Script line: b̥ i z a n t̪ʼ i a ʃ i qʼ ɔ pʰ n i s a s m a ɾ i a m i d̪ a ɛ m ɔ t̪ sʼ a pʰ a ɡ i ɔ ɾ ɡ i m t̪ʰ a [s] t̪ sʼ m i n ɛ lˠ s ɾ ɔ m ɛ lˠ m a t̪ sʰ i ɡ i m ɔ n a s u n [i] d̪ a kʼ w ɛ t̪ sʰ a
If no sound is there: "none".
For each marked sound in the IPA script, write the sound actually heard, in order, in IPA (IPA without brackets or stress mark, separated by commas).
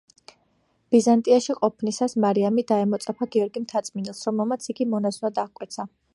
none, a